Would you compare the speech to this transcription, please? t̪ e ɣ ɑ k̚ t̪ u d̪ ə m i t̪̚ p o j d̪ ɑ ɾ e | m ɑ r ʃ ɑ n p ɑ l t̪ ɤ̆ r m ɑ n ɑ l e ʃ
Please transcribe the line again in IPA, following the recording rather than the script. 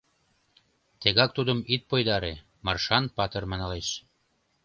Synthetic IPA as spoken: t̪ e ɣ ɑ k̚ t̪ u d̪ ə m i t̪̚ p o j d̪ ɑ ɾ e | m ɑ r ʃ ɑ n p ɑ t̪ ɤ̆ r m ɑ n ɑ l e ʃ

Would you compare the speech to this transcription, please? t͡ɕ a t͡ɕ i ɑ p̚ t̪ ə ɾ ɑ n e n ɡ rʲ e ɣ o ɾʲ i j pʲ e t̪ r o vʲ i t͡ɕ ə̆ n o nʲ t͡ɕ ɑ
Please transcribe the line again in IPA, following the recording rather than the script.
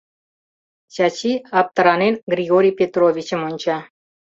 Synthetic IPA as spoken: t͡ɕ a t͡ɕ i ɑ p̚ t̪ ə ɾ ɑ n e n ɡ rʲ i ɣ o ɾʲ i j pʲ e t̪ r o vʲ i t͡ɕ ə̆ m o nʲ t͡ɕ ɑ

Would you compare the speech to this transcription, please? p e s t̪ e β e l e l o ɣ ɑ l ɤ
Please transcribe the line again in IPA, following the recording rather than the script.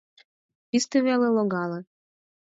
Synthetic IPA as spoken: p i s t̪ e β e l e l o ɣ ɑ l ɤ

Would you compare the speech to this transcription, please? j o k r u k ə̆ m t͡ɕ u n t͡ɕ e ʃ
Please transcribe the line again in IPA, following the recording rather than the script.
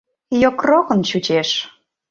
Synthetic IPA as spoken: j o k r o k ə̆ n t͡ɕ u t͡ɕ e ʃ

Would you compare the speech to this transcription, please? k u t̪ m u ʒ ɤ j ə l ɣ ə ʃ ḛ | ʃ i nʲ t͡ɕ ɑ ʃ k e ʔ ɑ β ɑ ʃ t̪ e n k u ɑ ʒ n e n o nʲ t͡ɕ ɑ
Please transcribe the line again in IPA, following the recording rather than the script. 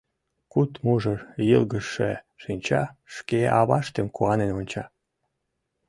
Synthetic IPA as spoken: k u t̪ m u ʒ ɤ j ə l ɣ ə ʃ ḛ | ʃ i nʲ t͡ɕ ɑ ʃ k e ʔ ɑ β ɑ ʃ t̪ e m k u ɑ n e n o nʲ t͡ɕ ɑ

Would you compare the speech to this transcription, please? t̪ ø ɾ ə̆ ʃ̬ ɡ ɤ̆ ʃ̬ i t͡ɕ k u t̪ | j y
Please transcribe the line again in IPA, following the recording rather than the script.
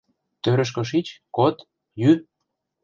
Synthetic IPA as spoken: t̪ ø ɾ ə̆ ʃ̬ k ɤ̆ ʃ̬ i t͡ɕ k o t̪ | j y

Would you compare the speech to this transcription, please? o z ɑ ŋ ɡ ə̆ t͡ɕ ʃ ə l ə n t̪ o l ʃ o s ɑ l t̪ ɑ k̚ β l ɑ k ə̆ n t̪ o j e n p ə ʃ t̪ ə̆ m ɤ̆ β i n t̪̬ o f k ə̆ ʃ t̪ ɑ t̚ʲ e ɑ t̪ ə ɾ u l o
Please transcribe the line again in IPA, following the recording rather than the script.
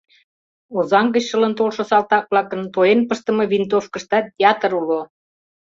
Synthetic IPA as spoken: o z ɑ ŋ ɡ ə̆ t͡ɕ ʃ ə l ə n t̪ o l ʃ o s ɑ l t̪ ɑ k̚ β l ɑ k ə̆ n t̪ o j e n p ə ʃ t̪ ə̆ m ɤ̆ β i n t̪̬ o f k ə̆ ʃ t̪ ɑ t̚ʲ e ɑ t̪ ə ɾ u l o

